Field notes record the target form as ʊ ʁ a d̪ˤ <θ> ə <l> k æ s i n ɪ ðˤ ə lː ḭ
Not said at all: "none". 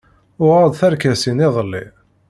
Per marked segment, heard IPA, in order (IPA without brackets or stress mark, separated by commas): θ, ɾ